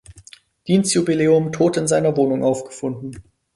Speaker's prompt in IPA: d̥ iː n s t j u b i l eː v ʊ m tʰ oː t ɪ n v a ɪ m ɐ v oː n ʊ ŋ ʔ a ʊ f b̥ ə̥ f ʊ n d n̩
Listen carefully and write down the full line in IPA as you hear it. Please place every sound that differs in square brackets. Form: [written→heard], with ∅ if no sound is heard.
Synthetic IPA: d̥ iː n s t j u b i l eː [v→∅] ʊ m tʰ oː t ɪ n [v→z] a ɪ [m→n] ɐ v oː n ʊ ŋ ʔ a ʊ f [b̥→ɡ̥] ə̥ f ʊ n d n̩

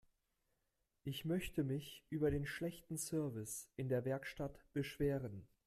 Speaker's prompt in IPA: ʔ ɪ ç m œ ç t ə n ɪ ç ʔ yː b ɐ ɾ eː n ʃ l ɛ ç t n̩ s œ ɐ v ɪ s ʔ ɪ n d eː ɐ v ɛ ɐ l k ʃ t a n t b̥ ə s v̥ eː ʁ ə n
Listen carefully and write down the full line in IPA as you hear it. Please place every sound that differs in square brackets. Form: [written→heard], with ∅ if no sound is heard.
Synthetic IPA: ʔ ɪ ç m œ ç t ə [n→m] ɪ ç ʔ yː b ɐ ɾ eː n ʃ l ɛ ç t n̩ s œ ɐ v ɪ s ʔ ɪ n d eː ɐ v ɛ ɐ [l→∅] k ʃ t a [n→∅] t b̥ ə [s→ʃ] v̥ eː ʁ ə n

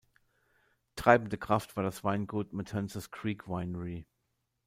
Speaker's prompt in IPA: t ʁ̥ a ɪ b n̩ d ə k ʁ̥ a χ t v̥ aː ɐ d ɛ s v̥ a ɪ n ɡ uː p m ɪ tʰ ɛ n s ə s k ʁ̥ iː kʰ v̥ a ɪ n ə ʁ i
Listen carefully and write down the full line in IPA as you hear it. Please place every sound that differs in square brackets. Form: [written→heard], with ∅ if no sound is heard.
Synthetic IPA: t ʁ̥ a ɪ b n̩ d ə k ʁ̥ a [χ→f] t v̥ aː ɐ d [ɛ→a] s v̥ a ɪ n ɡ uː [p→t] m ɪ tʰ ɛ n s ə s k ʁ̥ iː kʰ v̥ a ɪ n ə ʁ i

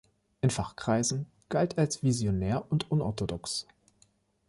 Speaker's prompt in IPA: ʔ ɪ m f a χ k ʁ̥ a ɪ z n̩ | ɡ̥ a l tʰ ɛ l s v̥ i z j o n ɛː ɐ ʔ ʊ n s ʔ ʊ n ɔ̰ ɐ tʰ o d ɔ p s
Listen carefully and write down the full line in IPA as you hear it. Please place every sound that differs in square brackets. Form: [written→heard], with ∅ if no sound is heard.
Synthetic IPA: ʔ ɪ [m→n] f a χ k ʁ̥ a ɪ z n̩ | ɡ̥ a l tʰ [ɛ→a] l s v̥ i z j o n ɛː ɐ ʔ ʊ n [s→t] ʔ ʊ n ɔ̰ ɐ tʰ o d ɔ [p→k] s

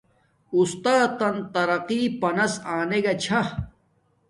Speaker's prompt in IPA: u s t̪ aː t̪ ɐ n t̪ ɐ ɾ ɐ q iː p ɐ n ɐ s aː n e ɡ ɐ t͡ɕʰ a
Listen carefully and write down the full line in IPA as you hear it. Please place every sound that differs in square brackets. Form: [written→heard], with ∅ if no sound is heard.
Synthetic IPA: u s t̪ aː t̪ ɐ n t̪ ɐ ɾ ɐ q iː p ɐ n ɐ s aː n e ɡ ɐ t͡ɕʰ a

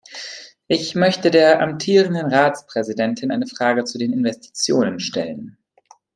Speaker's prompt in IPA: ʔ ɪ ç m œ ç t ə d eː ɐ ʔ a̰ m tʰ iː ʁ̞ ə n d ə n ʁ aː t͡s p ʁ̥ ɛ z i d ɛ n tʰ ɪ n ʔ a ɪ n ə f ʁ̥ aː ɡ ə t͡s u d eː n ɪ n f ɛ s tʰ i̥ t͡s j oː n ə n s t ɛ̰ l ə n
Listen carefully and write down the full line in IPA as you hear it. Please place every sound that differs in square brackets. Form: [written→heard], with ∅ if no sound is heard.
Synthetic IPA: ʔ ɪ ç m œ ç t ə d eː ɐ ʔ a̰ m tʰ iː ʁ̞ ə n d ə n ʁ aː t͡s p ʁ̥ ɛ z i d ɛ n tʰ ɪ n ʔ a ɪ n ə f ʁ̥ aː ɡ ə t͡s u d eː n ɪ n [f→v] ɛ s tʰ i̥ t͡s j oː n ə n [s→ʃ] t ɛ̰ l ə n

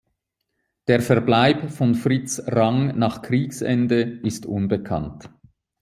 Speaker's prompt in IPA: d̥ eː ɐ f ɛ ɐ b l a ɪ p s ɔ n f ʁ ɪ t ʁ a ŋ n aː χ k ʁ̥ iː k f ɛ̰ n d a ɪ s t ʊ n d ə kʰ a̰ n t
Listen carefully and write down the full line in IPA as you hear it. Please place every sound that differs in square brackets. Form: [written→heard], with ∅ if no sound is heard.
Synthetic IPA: d̥ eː ɐ f ɛ ɐ b l a ɪ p [s→f] ɔ n f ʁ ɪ [t→t͡s] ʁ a ŋ n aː χ k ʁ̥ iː k [f→s] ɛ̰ n d [a→ə] ɪ s t ʊ n [d→b] ə kʰ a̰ n t

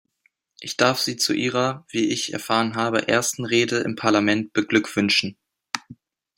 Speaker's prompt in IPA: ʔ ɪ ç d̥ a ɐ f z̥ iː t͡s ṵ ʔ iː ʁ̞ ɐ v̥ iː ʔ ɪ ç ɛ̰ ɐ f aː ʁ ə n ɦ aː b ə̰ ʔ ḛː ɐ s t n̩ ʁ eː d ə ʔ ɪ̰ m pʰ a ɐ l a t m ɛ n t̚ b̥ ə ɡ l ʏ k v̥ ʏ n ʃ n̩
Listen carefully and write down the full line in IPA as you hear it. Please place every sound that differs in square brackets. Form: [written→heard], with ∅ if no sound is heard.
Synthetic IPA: ʔ ɪ ç d̥ a ɐ f z̥ iː t͡s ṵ ʔ iː ʁ̞ ɐ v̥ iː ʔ ɪ ç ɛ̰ ɐ f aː ʁ ə n ɦ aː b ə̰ ʔ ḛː ɐ s t n̩ ʁ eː d ə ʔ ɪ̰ m pʰ a ɐ l a [t→∅] m ɛ n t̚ b̥ ə ɡ l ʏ k v̥ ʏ n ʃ n̩

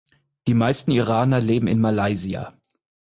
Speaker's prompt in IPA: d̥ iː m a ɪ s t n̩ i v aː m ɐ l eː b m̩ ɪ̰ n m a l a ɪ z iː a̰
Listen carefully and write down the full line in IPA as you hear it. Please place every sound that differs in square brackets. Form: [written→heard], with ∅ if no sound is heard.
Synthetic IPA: d̥ iː m a ɪ s t n̩ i [v→ʁ] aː [m→n] ɐ l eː b m̩ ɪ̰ n m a l a ɪ z [iː→i] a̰

